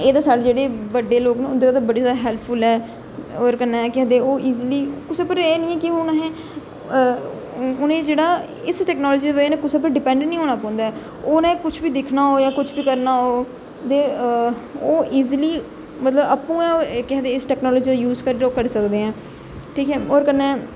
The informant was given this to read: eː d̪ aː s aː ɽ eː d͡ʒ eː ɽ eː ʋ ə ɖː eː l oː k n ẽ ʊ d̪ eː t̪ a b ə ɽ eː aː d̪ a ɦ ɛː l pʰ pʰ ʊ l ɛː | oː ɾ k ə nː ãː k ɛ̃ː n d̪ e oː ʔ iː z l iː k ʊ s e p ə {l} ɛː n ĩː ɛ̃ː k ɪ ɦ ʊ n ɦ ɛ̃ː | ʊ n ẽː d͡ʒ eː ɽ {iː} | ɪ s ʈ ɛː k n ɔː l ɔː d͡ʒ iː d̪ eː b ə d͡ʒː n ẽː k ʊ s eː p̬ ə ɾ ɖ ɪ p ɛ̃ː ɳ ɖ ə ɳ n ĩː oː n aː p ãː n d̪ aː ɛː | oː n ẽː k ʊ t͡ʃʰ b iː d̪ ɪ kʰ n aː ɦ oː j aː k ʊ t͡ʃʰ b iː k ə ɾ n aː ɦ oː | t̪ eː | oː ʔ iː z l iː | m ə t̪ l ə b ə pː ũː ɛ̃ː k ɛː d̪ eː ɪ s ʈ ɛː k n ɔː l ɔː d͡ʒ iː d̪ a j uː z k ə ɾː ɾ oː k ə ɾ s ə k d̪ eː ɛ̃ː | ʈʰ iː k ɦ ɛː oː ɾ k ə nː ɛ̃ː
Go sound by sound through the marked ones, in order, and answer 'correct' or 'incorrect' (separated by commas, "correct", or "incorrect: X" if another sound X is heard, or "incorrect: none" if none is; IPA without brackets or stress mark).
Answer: incorrect: ɾ, incorrect: aː